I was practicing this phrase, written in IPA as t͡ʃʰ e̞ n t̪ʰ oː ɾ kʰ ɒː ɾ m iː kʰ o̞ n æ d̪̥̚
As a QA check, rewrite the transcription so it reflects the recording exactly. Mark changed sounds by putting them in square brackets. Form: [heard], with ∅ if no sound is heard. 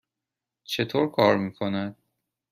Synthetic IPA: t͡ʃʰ e̞ [∅] t̪ʰ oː ɾ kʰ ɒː ɾ m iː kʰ o̞ n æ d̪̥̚